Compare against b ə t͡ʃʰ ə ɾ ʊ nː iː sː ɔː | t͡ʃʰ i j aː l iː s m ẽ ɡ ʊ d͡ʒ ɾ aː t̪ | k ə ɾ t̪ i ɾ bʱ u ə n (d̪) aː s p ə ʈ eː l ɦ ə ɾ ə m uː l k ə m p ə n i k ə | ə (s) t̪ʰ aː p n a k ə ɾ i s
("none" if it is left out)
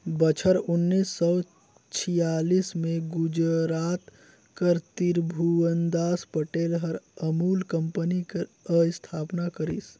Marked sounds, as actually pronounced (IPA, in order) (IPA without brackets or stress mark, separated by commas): d̪, s